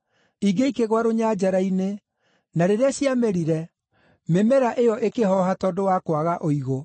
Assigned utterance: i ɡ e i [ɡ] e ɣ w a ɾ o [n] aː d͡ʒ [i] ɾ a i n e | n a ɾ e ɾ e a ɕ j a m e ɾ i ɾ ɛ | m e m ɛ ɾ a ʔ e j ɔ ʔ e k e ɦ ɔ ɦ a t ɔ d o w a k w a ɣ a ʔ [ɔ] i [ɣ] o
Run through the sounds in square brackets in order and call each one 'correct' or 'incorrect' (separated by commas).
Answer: incorrect, incorrect, incorrect, incorrect, correct